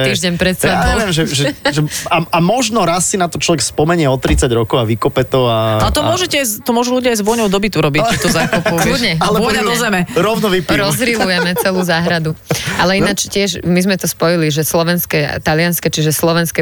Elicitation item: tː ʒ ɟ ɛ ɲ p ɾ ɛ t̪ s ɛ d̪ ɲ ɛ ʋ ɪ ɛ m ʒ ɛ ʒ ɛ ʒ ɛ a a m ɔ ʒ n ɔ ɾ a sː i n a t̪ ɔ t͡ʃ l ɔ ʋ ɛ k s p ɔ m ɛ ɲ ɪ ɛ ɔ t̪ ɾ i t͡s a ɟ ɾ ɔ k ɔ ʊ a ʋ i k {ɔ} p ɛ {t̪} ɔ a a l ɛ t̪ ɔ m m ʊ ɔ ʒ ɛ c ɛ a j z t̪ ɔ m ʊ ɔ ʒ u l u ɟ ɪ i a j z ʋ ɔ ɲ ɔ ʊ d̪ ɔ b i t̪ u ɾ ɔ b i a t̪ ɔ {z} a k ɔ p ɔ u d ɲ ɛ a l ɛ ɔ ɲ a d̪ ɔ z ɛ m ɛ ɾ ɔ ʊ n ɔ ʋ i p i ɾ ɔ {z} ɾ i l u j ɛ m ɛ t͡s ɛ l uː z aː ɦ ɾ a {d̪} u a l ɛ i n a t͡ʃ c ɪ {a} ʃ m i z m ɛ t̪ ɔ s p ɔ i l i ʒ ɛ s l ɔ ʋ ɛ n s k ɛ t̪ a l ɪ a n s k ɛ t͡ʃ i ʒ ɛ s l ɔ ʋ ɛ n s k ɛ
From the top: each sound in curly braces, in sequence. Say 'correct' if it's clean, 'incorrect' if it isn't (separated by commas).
correct, correct, correct, correct, correct, incorrect